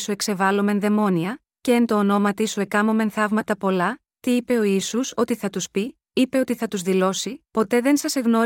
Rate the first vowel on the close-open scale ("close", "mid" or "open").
close